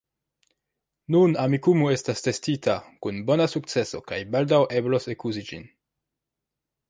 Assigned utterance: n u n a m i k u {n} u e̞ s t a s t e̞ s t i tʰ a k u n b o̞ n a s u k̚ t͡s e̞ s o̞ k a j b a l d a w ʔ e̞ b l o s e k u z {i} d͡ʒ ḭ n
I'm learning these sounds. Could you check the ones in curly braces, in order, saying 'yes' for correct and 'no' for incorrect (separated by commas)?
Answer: no, yes